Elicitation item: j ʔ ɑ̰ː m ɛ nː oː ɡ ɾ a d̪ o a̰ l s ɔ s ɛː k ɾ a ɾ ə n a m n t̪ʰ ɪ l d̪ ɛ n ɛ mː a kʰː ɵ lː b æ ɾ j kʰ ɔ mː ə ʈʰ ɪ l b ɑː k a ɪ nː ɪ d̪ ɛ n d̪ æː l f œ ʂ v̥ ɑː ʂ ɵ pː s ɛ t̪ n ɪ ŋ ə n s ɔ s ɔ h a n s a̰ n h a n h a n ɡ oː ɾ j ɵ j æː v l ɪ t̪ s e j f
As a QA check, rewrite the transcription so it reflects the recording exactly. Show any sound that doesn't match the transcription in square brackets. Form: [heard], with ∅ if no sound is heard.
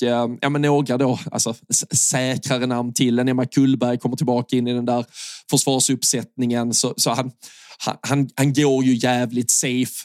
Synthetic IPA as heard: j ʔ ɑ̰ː m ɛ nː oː ɡ ɾ a d̪ o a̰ l s ɔ s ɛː k ɾ a ɾ ə n a m n t̪ʰ ɪ l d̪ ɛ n ɛ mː a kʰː ɵ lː b æ ɾ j kʰ ɔ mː ə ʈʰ ɪ l b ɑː k a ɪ nː ɪ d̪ ɛ n d̪ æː [ɾ] f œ ʂ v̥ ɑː ʂ ɵ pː s ɛ t̪ n ɪ ŋ ə n s ɔ s ɔ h a n [h] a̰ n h a n h a n ɡ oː ɾ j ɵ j æː v l ɪ t̪ s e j f